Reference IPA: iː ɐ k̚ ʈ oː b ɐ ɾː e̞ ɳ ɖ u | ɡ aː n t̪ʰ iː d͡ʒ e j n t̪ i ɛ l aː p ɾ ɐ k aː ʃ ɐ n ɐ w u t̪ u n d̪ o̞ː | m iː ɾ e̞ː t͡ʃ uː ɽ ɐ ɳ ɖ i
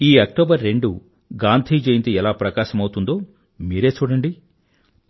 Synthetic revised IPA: iː ɐ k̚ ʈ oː b ɐ ɾː e̞ ɳ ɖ u | ɡ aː n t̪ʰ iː d͡ʒ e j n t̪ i ɛ l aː p ɾ ɐ k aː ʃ ɐ m ɐ w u t̪ u n d̪ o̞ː | m iː ɾ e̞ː t͡ʃ uː ɽ ɐ ɳ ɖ i